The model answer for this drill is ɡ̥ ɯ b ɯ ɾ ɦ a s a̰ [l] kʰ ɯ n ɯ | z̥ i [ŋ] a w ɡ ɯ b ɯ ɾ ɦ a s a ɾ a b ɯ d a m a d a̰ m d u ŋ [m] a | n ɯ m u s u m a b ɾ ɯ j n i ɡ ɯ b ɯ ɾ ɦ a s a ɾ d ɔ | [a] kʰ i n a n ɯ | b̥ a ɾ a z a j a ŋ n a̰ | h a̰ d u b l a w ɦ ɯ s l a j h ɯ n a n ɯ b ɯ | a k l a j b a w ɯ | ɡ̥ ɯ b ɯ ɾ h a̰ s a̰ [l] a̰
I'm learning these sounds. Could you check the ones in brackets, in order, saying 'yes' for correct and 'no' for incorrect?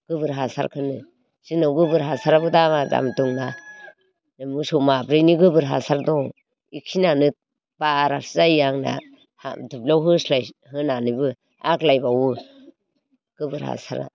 no, no, no, no, no

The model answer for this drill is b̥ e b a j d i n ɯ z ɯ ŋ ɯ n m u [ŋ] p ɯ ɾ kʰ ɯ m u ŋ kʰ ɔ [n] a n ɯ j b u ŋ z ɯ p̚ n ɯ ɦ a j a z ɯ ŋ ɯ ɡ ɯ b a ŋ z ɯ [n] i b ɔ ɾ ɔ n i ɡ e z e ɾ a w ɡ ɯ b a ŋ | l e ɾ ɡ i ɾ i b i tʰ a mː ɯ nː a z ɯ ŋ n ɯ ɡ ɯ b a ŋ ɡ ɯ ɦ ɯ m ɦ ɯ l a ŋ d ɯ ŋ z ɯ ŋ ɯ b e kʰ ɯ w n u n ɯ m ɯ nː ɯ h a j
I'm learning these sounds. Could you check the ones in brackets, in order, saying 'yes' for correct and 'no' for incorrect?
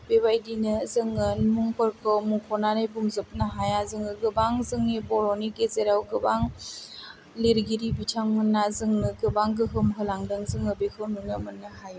yes, yes, no

